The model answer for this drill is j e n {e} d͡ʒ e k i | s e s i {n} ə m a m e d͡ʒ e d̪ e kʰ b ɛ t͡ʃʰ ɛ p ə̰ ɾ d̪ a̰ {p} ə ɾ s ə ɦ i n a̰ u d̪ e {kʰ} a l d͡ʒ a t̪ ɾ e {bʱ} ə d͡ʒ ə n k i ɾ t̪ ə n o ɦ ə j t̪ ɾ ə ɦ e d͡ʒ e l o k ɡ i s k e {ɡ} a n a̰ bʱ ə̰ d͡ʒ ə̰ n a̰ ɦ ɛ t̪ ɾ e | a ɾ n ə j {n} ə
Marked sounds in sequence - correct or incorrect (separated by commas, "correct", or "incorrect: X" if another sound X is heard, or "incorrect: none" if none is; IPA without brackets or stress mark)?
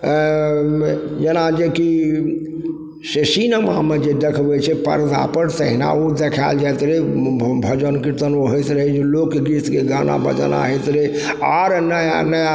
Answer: incorrect: a, correct, correct, correct, correct, correct, correct